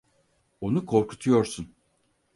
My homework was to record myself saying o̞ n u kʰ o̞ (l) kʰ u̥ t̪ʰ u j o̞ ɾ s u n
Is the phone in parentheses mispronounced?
yes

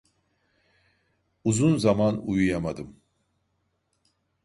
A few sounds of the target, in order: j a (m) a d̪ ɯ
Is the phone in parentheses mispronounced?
no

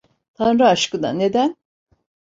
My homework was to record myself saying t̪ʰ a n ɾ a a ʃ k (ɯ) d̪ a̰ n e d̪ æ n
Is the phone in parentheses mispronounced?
no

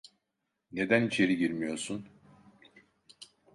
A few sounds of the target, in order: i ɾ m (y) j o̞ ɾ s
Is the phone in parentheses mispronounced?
yes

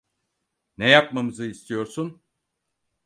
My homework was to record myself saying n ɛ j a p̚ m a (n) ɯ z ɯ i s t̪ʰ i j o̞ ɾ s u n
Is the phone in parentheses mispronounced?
yes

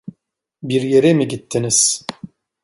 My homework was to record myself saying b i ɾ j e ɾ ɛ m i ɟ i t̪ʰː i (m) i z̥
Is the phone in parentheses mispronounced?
yes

